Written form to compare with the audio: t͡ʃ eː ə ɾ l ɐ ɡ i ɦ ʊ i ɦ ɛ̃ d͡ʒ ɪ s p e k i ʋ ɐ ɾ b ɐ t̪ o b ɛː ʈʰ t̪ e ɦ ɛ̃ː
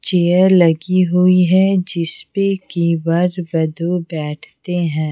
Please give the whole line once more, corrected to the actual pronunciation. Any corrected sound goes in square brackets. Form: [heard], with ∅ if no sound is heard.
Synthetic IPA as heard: t͡ʃ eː ə ɾ l ɐ ɡ i ɦ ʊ i ɦ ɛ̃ d͡ʒ ɪ s p e k i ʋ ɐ ɾ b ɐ [d̪] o b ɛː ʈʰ t̪ e ɦ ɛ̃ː